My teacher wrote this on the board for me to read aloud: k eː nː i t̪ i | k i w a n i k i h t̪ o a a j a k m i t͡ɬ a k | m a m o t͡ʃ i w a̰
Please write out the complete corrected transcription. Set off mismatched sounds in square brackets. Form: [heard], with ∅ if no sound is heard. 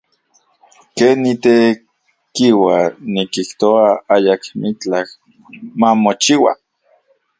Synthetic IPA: k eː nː i t̪ [e] | k i w a n i k i h t̪ o a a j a k m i t͡ɬ a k | m a m o t͡ʃ i w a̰